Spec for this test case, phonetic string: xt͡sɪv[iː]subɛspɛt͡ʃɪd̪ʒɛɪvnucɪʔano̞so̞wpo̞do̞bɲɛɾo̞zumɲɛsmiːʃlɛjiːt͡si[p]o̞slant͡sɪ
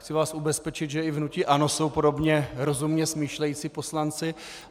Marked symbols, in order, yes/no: no, yes

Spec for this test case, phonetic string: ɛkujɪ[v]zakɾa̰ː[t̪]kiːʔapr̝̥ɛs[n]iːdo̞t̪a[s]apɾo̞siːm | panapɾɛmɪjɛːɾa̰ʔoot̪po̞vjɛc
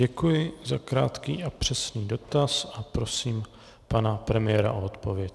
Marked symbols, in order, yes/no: no, yes, yes, yes

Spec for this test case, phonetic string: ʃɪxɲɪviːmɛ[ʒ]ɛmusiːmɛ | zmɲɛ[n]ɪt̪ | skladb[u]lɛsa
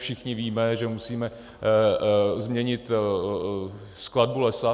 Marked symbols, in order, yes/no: yes, no, yes

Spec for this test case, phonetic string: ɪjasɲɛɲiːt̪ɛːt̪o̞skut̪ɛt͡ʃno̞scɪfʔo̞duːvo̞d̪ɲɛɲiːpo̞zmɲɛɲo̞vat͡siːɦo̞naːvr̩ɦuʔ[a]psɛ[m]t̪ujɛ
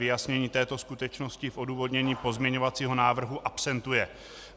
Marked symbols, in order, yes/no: yes, no

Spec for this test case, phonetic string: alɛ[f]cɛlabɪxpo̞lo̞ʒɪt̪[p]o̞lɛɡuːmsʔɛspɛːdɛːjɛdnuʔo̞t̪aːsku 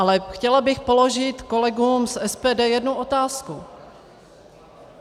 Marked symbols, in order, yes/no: no, no

